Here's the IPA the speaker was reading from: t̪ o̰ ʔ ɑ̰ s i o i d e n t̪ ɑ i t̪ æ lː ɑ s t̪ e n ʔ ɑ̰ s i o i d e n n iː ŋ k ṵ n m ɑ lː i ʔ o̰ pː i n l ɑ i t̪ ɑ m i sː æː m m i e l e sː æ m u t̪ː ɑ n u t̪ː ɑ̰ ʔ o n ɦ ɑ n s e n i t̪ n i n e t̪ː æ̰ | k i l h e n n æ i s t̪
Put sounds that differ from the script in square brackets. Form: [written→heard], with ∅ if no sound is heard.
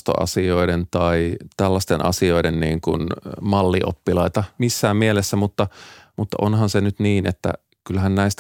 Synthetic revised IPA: t̪ o̰ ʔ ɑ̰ s i o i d e n t̪ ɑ i t̪ æ lː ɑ s t̪ e n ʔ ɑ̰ s i o i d e n n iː ŋ k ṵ n m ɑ lː i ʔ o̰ pː i [n→∅] l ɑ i t̪ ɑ m i sː æː m m i e l e sː æ m u t̪ː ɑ [n→m] u t̪ː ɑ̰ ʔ o n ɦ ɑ n s e n [i→y] t̪ n [i→iː] n e t̪ː æ̰ | k [i→y] l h [e→æ] n n æ i s t̪